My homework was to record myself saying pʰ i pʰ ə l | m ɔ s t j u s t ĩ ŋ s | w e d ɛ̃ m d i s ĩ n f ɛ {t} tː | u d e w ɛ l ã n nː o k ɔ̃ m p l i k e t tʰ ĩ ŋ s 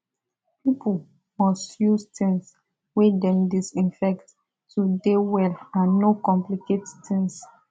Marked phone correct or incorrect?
incorrect